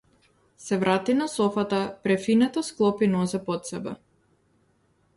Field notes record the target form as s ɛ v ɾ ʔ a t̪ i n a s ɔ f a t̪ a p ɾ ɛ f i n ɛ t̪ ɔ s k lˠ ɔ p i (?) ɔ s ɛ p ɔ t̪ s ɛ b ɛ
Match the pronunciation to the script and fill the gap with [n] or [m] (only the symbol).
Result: n